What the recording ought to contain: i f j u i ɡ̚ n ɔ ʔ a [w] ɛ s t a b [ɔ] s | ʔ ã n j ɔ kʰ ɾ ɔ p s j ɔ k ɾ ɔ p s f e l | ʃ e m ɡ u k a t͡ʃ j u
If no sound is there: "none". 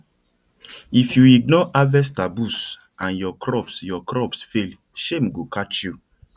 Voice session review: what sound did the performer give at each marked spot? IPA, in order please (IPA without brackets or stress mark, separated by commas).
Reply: v, u